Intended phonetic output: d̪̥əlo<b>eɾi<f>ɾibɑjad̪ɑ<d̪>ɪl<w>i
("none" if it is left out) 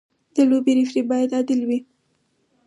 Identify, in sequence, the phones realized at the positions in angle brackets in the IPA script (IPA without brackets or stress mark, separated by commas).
b, f, d̪, w